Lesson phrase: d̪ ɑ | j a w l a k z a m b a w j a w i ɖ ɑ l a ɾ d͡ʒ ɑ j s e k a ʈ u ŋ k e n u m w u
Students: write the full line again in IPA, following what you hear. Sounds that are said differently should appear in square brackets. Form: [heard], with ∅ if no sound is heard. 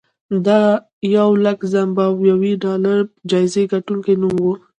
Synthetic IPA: d̪ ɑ | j a w l a k z a m b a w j a w i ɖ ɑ l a ɾ d͡ʒ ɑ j [z] e [ɡ] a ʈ u ŋ k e n u m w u